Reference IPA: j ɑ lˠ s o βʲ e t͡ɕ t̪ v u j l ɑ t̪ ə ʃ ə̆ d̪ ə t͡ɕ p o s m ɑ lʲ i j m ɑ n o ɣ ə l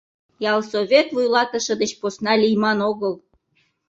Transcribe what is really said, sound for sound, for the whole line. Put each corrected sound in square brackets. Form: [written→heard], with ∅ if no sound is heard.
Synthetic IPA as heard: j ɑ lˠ s o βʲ e [t͡ɕ→∅] t̪ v u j l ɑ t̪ ə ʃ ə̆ d̪ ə t͡ɕ p o s [m→n] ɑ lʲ i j m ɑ n o ɣ ə l